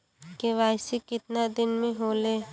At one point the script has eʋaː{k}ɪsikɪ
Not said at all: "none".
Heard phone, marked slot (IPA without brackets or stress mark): none